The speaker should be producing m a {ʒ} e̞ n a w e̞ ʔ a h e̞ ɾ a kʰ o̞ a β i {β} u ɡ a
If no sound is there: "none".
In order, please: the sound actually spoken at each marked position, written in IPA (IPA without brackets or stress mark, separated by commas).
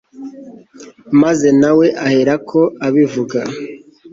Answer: z, v